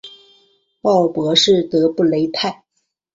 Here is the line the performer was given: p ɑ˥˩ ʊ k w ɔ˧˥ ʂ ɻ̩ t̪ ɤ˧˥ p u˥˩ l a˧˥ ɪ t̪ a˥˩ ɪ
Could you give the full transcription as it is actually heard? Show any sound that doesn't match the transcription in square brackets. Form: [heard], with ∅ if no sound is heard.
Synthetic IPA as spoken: p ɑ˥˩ ʊ [p] w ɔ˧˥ ʂ ɻ̩ t̪ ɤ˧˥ p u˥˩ l [e˧˥] ɪ [t̪ʰ] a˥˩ ɪ